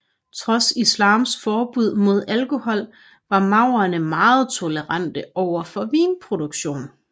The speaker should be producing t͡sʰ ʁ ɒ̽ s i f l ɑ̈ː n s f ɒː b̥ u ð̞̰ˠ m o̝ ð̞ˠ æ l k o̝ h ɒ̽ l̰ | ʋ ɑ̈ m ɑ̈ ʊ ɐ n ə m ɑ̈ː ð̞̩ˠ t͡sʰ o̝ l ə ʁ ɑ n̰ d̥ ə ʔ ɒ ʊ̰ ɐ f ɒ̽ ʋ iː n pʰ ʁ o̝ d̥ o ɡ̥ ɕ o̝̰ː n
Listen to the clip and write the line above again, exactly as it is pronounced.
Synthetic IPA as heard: t͡sʰ ʁ ɒ̽ s i s l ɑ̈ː m s f ɒː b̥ u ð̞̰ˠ m o̝ ð̞ˠ æ l k o̝ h ɒ̽ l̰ | ʋ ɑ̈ m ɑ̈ ʊ ɐ n ə m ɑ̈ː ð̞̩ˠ t͡sʰ o̝ l ə ʁ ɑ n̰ d̥ ə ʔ ɒ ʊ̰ ɐ f ɒ̽ ʋ iː n pʰ ʁ o̝ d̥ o ɡ̥ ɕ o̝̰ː n